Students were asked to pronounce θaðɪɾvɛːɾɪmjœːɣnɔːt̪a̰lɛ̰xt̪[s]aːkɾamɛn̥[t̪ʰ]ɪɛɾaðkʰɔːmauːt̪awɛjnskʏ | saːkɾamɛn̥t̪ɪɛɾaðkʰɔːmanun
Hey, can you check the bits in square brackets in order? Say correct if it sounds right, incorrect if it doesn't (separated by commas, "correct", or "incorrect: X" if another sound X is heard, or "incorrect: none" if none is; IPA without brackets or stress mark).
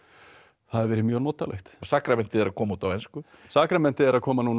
correct, incorrect: t̪